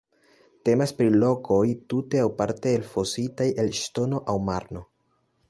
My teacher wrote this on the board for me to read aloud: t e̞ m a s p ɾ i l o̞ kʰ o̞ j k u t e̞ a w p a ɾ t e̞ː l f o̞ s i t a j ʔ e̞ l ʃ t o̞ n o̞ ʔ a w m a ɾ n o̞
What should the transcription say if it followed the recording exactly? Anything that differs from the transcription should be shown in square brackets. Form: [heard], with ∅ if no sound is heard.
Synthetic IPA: t e̞ m a s p ɾ i l o̞ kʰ o̞ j [t] u t e̞ a w p a ɾ t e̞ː l f o̞ s i t a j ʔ e̞ l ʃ t o̞ n o̞ ʔ a w m a ɾ n o̞